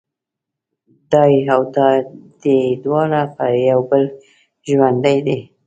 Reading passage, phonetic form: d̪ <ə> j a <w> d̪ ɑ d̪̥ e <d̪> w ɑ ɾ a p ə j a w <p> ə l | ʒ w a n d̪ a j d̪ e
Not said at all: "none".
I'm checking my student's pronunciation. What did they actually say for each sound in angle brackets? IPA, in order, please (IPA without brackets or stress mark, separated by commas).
ɑ, w, d̪, b